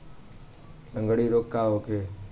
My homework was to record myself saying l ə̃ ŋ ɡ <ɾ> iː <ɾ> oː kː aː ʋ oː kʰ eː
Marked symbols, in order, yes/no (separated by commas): no, yes